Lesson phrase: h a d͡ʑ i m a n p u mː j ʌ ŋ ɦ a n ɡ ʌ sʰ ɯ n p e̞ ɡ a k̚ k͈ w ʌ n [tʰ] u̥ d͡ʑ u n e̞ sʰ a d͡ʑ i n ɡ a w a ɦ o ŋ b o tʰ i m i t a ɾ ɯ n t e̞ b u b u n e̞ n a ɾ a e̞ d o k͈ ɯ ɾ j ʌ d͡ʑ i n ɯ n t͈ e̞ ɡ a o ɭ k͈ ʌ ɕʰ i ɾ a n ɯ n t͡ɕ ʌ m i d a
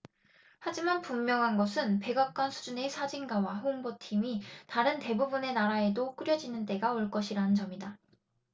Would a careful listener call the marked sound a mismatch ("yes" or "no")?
yes